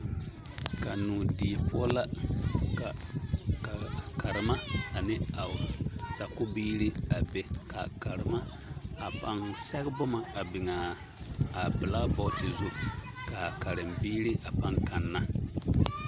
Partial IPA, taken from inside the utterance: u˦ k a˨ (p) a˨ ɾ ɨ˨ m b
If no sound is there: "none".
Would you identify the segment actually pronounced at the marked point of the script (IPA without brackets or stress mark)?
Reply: k